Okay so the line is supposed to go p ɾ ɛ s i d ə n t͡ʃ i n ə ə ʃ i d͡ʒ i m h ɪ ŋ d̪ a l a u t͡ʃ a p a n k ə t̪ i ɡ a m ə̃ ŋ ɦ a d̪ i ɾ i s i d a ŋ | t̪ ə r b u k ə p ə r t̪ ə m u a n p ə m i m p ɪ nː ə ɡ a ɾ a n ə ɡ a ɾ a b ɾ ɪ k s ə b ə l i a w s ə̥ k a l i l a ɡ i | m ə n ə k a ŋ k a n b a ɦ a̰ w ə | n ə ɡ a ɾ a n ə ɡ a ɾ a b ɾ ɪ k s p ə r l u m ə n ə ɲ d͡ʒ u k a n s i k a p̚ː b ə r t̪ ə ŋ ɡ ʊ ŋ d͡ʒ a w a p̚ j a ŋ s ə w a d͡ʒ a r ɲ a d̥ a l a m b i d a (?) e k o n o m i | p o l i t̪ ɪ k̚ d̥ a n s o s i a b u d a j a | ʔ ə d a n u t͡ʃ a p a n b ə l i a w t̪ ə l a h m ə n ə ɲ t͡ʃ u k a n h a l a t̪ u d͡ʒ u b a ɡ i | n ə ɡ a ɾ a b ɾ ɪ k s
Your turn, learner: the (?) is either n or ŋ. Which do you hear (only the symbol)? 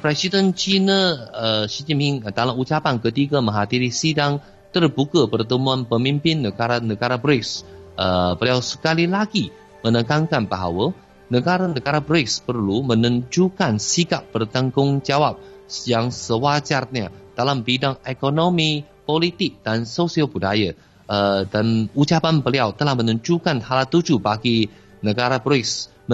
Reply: ŋ